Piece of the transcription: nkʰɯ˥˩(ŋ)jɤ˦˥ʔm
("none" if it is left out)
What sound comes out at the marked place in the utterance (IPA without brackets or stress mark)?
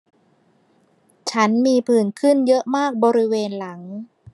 n